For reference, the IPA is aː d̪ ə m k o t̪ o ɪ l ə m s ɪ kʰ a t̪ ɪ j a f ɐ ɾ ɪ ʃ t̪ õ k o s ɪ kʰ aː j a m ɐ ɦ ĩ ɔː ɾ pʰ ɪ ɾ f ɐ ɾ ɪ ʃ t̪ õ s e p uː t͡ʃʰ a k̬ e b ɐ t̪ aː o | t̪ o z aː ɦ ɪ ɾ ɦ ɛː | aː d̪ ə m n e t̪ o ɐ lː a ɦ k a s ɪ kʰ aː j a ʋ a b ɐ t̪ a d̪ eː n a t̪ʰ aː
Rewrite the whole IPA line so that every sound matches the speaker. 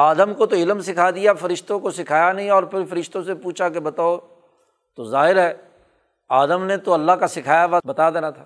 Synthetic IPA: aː d̪ ə m k o t̪ o ɪ l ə m s ɪ kʰ a d̪ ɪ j a f ɐ ɾ ɪ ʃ t̪ õ k o s ɪ kʰ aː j a n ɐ ɦ ĩ ɔː ɾ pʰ ɪ ɾ f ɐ ɾ ɪ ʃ t̪ õ s e p uː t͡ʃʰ a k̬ e b ɐ t̪ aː o | t̪ o z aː ɦ ɪ ɾ ɦ ɛː | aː d̪ ə m n e t̪ o ɐ lː a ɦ k a s ɪ kʰ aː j a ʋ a b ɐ t̪ a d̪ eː n a t̪ʰ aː